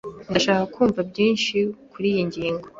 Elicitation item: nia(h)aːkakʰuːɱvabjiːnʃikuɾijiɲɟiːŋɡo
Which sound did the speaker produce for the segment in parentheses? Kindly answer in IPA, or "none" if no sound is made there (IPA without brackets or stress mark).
ʃ